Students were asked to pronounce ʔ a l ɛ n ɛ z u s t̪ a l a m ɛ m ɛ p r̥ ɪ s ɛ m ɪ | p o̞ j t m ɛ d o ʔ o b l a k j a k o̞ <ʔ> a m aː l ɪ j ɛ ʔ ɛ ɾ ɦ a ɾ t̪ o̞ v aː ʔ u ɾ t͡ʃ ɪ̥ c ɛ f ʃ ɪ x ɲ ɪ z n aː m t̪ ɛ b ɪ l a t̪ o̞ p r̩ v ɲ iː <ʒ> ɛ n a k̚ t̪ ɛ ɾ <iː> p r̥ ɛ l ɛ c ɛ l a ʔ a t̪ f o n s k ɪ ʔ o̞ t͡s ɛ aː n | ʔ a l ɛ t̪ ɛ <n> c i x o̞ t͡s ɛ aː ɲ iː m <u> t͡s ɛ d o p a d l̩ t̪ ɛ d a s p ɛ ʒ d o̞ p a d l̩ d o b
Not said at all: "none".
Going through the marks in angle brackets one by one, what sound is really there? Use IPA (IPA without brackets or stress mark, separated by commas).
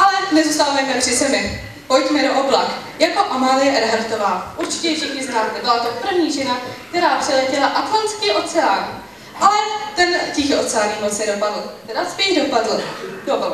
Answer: ʔ, ʒ, aː, n, o